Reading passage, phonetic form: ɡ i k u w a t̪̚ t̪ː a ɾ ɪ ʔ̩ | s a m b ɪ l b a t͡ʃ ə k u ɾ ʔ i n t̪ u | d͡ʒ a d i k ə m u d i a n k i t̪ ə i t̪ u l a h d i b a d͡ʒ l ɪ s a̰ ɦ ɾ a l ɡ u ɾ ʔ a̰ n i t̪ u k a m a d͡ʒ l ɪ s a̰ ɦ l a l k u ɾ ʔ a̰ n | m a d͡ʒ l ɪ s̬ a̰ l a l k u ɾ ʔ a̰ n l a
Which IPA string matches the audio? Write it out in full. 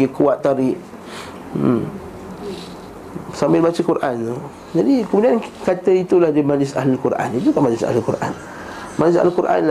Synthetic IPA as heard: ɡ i k u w a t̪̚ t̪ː a ɾ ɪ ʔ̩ | s a m b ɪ l b a t͡ʃ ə k u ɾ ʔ a n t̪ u | d͡ʒ a d i k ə m u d i a n k a t̪ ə i t̪ u l a h d i m a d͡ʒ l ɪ s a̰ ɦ l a l k u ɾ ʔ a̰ n i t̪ u k a m a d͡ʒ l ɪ s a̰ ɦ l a l k u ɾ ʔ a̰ n | m a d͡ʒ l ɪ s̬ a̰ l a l k u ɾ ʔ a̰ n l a